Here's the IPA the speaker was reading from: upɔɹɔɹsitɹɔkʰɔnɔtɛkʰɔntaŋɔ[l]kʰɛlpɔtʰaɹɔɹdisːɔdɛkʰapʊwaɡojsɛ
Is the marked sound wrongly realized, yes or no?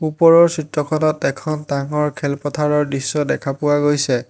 yes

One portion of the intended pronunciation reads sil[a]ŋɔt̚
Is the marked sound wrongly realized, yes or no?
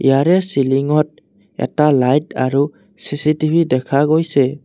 yes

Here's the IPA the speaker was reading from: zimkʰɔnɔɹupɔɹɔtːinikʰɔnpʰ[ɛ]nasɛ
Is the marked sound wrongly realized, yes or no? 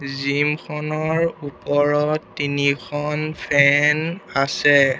no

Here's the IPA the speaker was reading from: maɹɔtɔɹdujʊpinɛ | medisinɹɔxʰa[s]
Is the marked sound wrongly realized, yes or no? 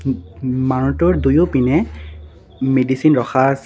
no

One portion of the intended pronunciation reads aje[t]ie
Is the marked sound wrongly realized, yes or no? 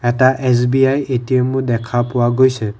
no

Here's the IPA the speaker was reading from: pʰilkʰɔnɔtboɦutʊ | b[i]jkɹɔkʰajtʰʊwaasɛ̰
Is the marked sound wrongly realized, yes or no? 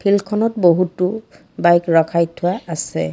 yes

